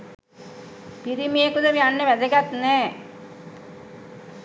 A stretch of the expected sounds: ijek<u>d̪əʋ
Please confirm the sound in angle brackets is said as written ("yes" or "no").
yes